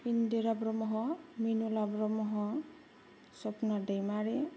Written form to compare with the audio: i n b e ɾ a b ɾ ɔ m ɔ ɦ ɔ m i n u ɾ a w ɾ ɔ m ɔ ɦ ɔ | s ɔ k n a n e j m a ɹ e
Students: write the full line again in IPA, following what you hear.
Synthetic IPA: i n d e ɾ a b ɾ ɔ m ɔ ɦ ɔ m i n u l a b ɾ ɔ m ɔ ɦ ɔ | s ɔ p n a d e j m a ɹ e